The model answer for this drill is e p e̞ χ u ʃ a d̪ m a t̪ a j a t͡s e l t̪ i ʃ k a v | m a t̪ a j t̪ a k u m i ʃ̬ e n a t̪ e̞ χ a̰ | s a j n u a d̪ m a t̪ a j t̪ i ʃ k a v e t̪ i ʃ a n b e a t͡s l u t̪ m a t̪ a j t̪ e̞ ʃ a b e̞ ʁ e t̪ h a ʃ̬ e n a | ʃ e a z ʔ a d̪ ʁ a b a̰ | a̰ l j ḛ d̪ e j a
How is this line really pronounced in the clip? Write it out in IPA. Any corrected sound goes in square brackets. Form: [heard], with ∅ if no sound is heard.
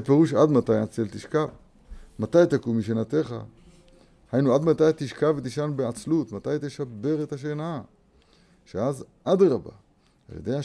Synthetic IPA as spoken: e p e̞ [ʁ] u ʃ a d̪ m a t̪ a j a t͡s e l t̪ i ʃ k a v | m a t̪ a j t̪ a k u m i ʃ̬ e n a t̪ e̞ χ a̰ | [h] a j n u a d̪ m a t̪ a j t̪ i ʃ k a v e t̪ i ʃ a n b e a t͡s l u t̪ m a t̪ a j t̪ e̞ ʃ a b e̞ ʁ e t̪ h a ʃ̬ e n a | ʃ e a z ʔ a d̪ ʁ a b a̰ | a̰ l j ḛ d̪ e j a